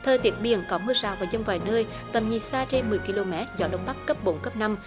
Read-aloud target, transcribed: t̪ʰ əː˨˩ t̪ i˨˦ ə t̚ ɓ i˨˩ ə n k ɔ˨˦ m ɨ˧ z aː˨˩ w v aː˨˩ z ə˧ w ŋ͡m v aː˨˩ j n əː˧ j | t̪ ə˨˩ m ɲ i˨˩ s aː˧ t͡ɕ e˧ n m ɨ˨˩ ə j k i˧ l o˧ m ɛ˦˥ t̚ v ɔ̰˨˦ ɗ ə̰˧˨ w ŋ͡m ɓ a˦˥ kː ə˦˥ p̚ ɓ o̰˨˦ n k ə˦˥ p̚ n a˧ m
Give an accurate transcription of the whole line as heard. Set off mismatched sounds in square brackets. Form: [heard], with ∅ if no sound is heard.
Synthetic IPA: t̪ʰ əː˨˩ t̪ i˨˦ ə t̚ ɓ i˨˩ ə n k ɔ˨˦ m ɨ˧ z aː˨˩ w v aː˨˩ z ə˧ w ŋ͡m v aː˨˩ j n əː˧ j | t̪ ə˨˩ m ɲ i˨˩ s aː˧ t͡ɕ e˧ n m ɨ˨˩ ə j k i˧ l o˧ m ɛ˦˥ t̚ [z] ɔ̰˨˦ ɗ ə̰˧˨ w ŋ͡m ɓ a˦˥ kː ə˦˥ p̚ ɓ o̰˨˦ n k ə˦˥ p̚ n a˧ m